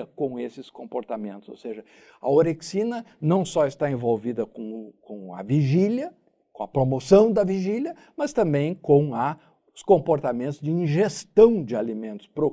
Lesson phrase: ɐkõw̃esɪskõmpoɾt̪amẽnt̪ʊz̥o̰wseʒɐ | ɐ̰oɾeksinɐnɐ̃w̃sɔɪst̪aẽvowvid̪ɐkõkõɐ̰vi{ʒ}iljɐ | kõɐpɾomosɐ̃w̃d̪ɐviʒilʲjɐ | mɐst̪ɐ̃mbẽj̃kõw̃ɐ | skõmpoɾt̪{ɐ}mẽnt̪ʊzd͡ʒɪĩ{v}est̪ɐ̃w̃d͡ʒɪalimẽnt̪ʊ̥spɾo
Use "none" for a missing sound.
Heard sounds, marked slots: ʒ, a, ʒ

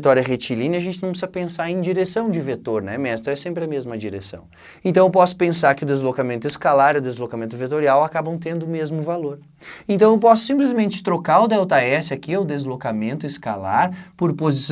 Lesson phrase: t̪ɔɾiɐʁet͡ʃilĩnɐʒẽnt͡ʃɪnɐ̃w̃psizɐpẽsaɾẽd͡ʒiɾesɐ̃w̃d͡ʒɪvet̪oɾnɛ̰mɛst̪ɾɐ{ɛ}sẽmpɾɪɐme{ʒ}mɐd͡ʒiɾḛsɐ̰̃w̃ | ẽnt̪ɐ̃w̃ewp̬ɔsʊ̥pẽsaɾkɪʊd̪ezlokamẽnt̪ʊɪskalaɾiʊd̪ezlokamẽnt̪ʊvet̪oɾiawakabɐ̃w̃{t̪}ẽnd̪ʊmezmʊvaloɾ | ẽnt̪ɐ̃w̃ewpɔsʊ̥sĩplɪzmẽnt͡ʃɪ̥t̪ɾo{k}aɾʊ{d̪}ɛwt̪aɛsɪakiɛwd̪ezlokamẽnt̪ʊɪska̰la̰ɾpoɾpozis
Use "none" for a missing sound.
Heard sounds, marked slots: ɛ, z, t̪, k, d̪

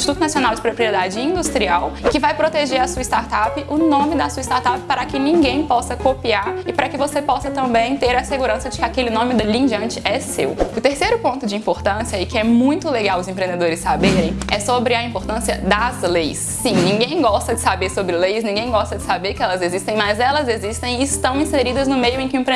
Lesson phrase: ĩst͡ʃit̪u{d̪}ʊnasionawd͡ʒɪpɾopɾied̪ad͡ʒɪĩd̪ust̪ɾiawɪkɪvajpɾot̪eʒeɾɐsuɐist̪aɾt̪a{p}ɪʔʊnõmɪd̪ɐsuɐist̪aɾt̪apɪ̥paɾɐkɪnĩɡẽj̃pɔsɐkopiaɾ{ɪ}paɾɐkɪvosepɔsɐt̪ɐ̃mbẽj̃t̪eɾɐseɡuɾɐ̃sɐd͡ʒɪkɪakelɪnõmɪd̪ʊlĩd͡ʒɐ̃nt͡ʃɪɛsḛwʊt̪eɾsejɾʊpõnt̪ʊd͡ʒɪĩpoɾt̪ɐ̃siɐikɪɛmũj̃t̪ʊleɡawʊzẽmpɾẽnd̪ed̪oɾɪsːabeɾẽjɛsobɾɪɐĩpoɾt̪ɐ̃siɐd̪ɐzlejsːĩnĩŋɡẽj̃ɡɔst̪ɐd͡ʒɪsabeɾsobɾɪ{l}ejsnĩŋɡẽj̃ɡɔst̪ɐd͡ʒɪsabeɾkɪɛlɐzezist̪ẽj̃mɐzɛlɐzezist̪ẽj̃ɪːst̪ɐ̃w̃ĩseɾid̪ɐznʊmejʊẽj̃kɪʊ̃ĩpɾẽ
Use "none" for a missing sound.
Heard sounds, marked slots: t̪, p, ɪ, l

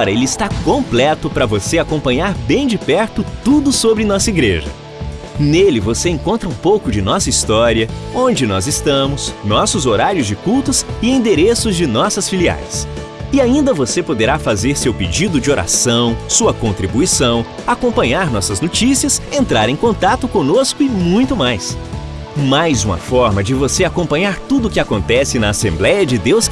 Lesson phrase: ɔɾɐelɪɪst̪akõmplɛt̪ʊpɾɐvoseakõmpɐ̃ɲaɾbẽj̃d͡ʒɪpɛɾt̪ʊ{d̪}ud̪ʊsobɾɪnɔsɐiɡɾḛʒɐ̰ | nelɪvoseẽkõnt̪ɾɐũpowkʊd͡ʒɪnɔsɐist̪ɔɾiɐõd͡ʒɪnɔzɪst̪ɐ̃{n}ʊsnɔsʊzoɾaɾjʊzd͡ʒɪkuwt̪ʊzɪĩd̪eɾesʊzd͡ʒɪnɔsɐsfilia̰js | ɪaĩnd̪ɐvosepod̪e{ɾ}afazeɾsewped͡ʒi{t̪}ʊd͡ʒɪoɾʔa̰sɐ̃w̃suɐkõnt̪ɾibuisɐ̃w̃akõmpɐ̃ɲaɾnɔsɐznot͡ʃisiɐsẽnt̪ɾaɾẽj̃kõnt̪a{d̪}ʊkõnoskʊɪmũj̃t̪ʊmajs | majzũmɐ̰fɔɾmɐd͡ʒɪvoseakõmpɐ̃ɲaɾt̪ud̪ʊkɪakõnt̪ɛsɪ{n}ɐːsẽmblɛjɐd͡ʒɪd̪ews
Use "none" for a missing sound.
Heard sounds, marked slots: t̪, m, ɾ, d̪, t̪, n

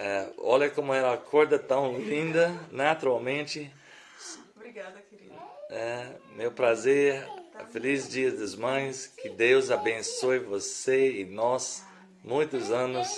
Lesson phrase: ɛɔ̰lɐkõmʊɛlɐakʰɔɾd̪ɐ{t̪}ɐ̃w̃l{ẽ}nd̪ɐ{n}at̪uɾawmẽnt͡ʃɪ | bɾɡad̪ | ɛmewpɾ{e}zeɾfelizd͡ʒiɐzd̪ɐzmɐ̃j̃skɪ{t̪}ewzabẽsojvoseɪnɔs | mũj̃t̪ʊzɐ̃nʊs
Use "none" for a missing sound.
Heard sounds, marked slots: t̪, ĩ, n, a, d̪

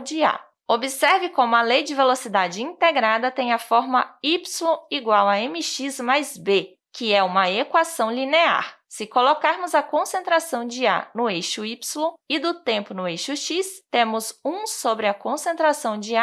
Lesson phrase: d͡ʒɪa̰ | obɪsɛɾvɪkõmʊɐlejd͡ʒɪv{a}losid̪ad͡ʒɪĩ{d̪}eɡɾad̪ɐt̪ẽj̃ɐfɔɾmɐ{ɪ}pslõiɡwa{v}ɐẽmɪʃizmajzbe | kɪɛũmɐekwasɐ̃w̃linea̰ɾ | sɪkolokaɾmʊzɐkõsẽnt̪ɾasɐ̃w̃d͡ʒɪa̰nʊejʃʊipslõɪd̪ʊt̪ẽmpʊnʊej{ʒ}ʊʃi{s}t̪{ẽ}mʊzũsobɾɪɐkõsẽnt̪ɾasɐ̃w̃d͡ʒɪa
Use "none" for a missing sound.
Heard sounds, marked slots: e, t̪, i, w, ʃ, s, ẽ

